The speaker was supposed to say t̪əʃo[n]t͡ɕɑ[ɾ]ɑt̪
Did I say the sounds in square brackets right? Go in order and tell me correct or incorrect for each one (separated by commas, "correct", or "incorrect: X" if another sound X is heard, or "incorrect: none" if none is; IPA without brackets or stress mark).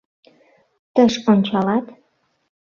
correct, incorrect: l